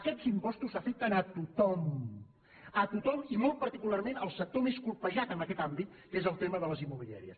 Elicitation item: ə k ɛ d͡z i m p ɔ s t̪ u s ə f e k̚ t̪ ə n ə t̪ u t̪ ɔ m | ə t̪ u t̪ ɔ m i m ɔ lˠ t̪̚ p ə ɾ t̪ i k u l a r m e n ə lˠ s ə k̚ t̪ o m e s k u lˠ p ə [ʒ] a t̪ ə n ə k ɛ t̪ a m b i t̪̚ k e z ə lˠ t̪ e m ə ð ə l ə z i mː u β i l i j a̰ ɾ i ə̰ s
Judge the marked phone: correct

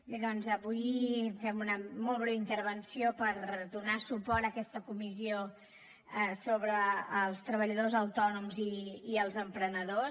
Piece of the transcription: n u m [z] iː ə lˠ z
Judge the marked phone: correct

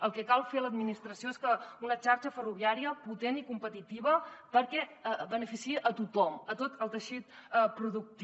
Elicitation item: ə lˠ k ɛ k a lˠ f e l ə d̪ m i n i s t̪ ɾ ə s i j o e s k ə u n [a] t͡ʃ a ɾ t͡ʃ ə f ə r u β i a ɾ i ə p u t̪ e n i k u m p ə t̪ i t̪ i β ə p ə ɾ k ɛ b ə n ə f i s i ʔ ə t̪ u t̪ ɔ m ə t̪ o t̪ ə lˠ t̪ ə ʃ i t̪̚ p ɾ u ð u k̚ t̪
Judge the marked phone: incorrect: ə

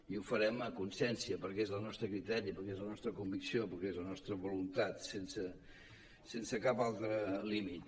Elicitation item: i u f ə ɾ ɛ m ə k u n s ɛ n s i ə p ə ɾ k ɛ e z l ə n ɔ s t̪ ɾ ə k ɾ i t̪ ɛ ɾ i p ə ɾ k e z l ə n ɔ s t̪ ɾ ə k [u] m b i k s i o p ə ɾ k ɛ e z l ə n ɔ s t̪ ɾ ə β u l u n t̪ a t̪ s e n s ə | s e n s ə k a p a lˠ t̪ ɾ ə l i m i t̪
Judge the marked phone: correct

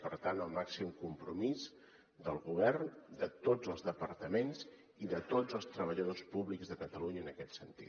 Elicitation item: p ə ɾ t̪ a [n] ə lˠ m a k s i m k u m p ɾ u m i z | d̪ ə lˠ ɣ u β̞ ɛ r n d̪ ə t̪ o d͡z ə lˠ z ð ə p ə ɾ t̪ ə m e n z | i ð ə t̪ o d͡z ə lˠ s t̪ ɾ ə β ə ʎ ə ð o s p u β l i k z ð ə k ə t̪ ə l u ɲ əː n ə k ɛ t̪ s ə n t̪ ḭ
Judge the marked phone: correct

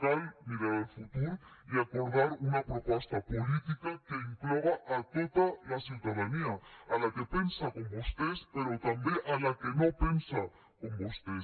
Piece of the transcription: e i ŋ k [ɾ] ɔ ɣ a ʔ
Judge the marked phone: incorrect: l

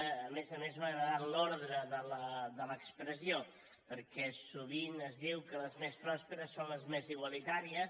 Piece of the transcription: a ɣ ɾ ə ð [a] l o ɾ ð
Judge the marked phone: correct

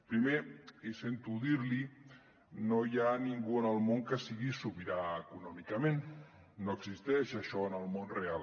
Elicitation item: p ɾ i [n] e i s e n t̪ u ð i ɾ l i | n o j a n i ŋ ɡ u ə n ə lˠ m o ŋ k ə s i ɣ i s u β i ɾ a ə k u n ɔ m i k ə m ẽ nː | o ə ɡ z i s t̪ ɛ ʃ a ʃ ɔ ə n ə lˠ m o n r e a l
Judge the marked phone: incorrect: m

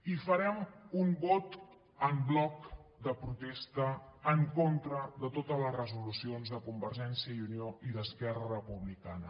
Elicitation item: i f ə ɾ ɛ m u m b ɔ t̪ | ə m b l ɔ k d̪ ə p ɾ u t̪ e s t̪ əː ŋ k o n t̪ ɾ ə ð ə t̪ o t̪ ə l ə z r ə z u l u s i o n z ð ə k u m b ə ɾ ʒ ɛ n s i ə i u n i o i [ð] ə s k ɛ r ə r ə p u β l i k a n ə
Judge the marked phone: correct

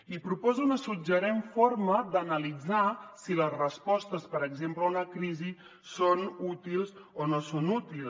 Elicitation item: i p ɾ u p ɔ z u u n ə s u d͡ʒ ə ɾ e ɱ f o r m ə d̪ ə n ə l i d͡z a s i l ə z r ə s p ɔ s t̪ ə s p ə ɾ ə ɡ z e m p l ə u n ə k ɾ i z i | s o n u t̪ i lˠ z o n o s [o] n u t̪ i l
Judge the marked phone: correct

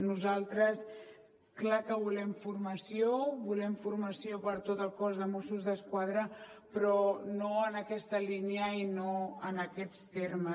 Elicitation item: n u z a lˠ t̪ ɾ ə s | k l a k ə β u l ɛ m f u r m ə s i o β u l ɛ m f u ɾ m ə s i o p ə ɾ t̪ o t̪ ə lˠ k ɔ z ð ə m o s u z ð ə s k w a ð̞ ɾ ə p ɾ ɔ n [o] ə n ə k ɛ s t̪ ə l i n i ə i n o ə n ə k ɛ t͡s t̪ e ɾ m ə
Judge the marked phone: correct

